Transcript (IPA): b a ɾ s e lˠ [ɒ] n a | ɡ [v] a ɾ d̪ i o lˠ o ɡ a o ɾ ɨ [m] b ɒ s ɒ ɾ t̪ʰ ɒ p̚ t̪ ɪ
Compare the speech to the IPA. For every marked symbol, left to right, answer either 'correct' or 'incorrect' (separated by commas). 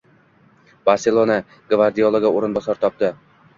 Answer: incorrect, correct, incorrect